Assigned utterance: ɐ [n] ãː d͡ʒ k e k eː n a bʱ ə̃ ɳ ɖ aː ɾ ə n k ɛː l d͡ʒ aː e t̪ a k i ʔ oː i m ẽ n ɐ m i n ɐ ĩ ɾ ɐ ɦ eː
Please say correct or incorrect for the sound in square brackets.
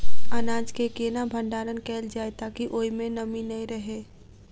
correct